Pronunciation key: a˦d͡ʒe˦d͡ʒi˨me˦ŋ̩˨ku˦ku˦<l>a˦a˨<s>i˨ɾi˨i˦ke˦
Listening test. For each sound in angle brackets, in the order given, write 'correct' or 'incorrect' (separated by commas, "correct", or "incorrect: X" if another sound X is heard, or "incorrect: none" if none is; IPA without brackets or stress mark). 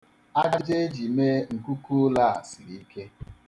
correct, correct